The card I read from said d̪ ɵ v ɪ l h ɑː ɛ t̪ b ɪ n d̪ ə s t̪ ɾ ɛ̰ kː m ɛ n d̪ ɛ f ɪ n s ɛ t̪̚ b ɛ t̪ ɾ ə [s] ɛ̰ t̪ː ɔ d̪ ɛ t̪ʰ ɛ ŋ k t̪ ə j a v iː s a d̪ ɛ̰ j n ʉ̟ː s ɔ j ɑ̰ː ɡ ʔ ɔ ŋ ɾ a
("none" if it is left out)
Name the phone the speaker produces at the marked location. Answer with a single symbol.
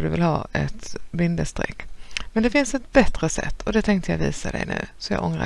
s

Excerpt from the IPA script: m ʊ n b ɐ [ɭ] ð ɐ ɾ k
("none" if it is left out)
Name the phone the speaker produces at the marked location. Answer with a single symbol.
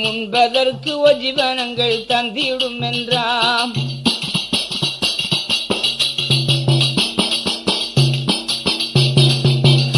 none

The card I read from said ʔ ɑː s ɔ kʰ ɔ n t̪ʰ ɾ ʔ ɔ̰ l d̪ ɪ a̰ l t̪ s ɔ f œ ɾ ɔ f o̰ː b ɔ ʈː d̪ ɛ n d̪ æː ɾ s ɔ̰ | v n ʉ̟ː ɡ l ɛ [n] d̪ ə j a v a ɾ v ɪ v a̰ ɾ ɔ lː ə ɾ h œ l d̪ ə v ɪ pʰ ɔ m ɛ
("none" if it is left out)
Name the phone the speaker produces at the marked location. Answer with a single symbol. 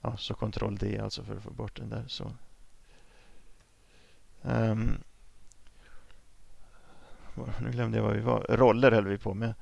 m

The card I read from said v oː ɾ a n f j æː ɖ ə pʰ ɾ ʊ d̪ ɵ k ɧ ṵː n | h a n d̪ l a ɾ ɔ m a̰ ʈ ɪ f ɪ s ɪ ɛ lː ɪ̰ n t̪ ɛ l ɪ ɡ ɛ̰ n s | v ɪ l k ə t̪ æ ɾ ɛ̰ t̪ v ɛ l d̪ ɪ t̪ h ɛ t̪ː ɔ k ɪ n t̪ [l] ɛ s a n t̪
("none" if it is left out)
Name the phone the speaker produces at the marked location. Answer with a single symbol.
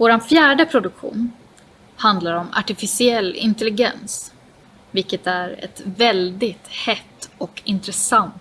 ɾ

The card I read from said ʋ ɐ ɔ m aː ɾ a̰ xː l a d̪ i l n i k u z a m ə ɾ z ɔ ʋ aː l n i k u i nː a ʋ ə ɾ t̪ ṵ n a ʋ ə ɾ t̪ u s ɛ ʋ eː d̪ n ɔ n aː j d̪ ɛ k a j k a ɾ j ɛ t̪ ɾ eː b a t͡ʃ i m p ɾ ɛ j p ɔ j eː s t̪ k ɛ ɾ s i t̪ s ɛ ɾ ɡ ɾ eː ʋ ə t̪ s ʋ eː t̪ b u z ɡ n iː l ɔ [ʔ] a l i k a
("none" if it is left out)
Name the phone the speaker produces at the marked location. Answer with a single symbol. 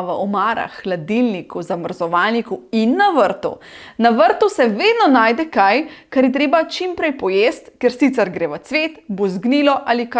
ʔ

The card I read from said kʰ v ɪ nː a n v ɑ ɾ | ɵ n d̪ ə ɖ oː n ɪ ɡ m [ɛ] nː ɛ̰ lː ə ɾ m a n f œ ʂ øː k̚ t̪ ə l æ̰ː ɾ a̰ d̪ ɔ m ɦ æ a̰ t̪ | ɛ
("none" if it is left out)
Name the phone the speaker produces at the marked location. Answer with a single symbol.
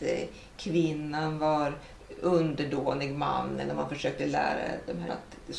a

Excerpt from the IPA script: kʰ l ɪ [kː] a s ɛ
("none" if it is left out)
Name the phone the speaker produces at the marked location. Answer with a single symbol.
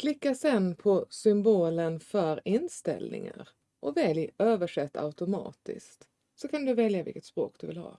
kː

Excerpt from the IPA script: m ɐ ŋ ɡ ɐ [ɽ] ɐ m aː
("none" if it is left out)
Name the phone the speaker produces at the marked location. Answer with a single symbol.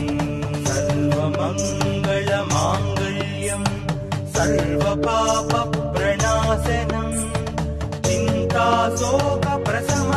ɭ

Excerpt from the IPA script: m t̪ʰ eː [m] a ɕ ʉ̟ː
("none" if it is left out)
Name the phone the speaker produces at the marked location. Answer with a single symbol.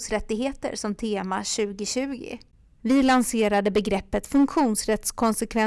m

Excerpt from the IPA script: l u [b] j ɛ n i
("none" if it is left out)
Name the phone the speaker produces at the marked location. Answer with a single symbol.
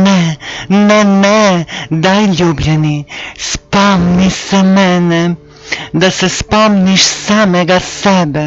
b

